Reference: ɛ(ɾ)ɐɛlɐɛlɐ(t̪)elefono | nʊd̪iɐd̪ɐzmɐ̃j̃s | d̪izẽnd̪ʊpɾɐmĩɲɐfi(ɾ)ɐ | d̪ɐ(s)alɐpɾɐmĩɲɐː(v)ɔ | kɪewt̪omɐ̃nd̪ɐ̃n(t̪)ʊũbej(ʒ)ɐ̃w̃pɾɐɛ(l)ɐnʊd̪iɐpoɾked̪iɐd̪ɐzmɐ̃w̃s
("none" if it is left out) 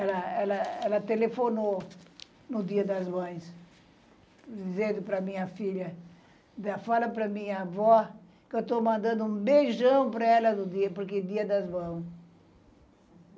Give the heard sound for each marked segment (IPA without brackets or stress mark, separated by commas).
l, t̪, ʎ, f, v, d̪, ʒ, l